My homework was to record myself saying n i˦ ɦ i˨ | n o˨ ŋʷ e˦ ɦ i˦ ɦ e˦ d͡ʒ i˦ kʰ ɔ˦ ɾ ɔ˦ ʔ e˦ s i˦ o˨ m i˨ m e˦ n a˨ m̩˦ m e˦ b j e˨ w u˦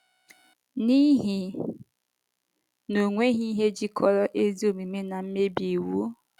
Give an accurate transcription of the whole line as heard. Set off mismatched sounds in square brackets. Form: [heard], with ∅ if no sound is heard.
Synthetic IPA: n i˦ ɦ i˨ | n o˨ ŋʷ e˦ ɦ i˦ ɦ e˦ d͡ʒ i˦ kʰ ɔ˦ ɾ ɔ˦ ʔ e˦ [z] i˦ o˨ m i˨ m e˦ n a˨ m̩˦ m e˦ b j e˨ w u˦

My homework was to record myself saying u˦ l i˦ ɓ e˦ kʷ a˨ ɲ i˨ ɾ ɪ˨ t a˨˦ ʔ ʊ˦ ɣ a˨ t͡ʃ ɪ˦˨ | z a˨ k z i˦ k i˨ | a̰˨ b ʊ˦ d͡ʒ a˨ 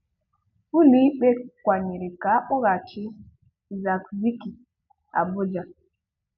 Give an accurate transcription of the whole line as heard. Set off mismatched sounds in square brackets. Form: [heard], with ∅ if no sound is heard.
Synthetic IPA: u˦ l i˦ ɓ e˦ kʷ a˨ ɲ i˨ ɾ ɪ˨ [k] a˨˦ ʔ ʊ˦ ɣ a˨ t͡ʃ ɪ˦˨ | z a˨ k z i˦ k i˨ | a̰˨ b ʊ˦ d͡ʒ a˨

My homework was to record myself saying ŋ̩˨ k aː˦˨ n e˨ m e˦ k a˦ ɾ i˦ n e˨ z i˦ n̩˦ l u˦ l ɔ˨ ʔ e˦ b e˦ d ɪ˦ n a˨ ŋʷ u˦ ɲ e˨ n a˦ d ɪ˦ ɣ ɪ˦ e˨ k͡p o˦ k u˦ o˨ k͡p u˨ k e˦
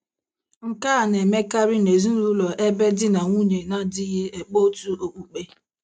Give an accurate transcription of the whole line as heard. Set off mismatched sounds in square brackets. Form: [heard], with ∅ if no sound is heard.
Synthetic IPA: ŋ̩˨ k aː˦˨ n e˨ m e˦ k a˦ ɾ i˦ n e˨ z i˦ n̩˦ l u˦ l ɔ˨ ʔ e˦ b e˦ d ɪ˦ n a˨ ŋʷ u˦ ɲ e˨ n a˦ d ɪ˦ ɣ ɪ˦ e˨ k͡p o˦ [t] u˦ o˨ k͡p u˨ [k͡p] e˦

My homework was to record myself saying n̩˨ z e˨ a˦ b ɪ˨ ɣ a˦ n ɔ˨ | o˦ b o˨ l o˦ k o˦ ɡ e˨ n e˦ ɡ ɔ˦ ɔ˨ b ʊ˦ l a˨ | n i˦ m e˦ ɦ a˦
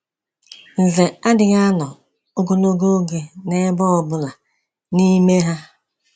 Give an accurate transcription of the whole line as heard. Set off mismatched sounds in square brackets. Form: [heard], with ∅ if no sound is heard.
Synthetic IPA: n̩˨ z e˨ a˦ [d] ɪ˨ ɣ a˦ n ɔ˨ | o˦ [ɡ] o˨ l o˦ [ɡ] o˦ ɡ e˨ n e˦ [b] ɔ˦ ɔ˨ b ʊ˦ l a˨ | n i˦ m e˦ ɦ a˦

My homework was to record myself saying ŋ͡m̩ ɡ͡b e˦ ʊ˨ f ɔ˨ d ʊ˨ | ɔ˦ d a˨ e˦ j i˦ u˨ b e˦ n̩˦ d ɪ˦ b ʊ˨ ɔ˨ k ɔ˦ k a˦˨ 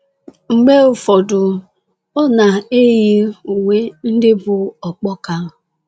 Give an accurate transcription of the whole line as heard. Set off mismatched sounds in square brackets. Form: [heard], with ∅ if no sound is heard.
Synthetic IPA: ŋ͡m̩ ɡ͡b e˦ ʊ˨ f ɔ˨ d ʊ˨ | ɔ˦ [n] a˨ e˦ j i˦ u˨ [w] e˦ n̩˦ d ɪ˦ b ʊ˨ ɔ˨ [k͡p] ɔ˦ k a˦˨

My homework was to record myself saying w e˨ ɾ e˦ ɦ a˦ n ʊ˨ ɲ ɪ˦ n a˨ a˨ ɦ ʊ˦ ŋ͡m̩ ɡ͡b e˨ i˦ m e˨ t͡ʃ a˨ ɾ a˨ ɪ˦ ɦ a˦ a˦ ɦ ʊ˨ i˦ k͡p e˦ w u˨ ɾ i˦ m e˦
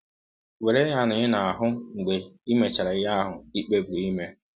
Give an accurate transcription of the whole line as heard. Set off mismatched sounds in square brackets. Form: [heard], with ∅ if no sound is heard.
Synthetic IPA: w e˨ ɾ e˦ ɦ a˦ n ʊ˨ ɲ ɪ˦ n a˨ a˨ ɦ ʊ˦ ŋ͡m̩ ɡ͡b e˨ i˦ m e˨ t͡ʃ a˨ ɾ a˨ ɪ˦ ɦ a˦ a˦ ɦ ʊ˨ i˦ k͡p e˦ [b] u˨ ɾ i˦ m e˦

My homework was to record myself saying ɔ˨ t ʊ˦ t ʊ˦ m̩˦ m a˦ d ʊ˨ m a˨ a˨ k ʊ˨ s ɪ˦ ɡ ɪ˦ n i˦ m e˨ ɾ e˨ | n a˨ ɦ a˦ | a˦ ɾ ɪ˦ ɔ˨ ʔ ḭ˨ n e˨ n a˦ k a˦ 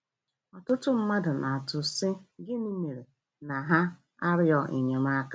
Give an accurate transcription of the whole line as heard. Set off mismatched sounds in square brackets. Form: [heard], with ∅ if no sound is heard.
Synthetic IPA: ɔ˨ t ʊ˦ t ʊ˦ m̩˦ m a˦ d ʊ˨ [n] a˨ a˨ [t] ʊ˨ s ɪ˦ ɡ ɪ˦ n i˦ m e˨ ɾ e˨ | n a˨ ɦ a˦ | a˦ ɾ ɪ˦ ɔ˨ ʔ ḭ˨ [ɲ] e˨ [m] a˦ k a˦

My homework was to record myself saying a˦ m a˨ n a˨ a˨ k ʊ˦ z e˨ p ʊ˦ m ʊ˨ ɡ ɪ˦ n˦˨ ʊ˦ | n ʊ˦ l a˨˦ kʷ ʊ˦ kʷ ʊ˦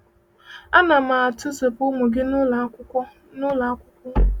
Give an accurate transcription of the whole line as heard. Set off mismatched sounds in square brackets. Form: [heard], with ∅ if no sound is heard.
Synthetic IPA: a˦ [n] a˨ [m] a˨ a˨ [t] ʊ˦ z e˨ p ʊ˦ m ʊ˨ ɡ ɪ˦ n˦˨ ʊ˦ | n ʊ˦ l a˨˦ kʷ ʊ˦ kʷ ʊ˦

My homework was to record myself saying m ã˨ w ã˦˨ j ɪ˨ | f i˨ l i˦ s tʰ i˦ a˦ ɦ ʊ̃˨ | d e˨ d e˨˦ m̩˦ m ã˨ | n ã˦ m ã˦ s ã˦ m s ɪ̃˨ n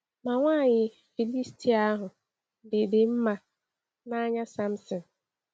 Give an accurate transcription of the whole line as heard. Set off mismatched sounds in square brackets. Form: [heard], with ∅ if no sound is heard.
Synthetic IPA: m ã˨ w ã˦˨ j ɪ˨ | f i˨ l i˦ s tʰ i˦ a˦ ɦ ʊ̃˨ | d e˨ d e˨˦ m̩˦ m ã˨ | n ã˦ [ɲ] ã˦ s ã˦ m s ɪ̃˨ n

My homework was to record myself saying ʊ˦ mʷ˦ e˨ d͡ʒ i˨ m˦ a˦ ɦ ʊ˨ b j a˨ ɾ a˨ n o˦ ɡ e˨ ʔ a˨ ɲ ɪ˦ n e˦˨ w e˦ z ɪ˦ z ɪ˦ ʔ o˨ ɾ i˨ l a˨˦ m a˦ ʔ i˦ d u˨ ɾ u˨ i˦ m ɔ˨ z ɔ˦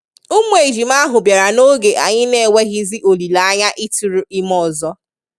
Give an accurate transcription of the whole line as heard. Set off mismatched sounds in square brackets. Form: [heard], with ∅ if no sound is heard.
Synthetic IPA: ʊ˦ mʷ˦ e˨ d͡ʒ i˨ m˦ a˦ ɦ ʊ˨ b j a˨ ɾ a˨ n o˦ ɡ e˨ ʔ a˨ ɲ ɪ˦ n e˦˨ w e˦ [ɣ] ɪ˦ z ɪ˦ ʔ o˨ [l] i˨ l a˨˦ [ɲ] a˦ ʔ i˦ [t] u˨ ɾ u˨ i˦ m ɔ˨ z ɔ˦

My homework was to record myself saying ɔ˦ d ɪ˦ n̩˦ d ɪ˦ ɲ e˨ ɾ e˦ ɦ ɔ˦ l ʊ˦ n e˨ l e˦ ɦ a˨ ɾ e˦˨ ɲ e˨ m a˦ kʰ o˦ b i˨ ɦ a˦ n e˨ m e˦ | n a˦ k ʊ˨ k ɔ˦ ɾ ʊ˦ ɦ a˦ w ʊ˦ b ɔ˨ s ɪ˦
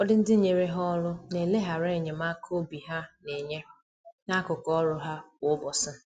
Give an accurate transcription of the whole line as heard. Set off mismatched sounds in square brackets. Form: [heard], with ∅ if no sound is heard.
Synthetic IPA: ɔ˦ d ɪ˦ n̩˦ d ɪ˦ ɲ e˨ ɾ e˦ ɦ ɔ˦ l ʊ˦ n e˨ l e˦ ɦ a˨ ɾ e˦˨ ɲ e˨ m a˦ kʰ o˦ b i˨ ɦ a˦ n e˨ [ɲ] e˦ | n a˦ k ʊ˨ k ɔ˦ ɾ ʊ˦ ɦ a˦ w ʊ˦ b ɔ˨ s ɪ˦

